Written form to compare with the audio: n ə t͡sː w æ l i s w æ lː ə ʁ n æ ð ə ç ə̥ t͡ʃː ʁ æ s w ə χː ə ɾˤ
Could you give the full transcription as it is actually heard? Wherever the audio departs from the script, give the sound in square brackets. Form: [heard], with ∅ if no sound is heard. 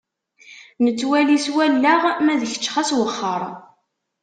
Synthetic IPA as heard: n ə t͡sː w æ l i s w æ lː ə ʁ [m] æ ð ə ç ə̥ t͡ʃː [χ] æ s w ə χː ə ɾˤ